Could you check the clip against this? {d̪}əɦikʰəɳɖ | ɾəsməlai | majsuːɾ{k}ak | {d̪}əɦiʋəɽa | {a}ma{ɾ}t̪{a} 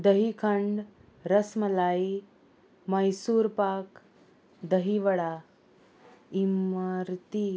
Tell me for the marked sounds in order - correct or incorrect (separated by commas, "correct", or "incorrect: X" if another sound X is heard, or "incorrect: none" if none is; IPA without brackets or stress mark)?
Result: correct, incorrect: p, correct, incorrect: i, correct, incorrect: i